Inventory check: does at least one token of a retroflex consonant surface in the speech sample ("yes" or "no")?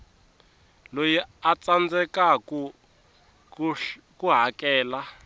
no